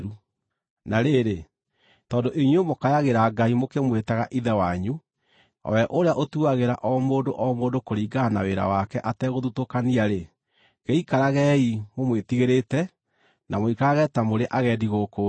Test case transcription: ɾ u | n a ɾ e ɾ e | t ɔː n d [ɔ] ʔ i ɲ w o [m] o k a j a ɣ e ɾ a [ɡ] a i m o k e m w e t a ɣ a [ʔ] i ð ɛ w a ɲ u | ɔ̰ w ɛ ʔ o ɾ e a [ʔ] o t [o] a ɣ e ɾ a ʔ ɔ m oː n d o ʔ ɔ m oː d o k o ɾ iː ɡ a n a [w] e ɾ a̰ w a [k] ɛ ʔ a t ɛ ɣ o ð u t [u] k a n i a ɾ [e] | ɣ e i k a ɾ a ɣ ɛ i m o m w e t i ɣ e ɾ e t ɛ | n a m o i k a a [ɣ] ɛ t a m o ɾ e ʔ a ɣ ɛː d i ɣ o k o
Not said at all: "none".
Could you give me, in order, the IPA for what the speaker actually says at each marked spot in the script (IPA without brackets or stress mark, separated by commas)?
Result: o, m, ɡ, ʔ, ʔ, u, w, k, o, e, ɣ